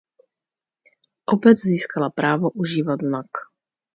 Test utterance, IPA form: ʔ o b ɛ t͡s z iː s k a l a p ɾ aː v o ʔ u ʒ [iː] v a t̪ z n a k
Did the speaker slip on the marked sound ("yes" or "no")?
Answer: no